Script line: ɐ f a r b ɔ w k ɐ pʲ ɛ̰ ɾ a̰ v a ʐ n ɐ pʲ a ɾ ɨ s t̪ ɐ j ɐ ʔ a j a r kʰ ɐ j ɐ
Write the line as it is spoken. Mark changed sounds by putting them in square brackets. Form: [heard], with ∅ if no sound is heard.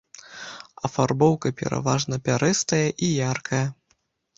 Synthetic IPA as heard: ɐ f a r b ɔ w k ɐ pʲ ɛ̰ ɾ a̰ v a ʐ n ɐ pʲ a ɾ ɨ s t̪ ɐ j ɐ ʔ [i] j a r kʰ ɐ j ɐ